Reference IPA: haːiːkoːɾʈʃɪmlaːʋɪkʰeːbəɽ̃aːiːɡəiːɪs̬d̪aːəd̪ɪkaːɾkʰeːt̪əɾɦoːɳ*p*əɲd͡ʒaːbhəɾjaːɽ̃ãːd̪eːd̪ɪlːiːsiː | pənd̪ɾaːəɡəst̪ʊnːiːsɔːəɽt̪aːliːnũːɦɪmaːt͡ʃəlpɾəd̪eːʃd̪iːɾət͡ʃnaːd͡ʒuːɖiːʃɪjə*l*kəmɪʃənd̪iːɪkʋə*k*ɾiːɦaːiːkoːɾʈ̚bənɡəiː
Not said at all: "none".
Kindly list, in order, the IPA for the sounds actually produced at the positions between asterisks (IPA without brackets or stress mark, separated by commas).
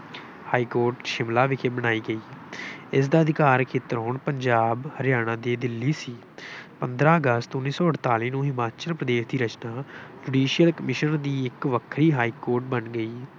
p, l, kʰ